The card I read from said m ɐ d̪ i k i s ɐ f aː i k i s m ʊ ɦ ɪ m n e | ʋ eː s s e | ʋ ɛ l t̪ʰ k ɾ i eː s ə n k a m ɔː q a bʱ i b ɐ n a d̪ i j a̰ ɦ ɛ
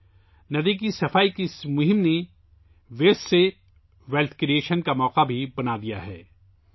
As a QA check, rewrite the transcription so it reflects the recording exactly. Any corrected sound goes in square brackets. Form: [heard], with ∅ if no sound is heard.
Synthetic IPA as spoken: [n] ɐ d̪ i k i s ɐ f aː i k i s m ʊ ɦ ɪ m n e | ʋ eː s s e | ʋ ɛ l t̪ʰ k ɾ i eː [ʃ] ə n k a m ɔː q a bʱ i b ɐ n a d̪ i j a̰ ɦ [ɛː]